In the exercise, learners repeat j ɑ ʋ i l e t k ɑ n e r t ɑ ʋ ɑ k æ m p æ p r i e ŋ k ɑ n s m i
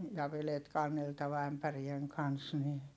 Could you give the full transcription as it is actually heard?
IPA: j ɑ ʋ e l e t k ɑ nː e l t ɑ ʋ ɑ æ m p æ r i e ŋ k ɑ n s n i